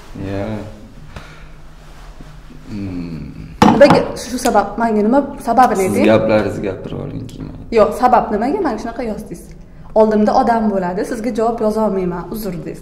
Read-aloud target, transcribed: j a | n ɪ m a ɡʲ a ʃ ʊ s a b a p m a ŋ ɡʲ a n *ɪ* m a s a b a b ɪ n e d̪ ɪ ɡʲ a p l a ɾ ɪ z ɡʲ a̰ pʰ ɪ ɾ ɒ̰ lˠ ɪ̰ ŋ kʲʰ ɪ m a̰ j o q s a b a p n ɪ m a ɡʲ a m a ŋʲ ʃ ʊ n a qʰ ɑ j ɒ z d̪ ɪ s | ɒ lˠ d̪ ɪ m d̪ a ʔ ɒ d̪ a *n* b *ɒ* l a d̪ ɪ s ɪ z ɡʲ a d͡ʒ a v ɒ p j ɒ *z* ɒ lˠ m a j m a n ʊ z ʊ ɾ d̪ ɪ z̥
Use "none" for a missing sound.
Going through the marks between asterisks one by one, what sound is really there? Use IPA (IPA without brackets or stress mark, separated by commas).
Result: ɪ, m, o, z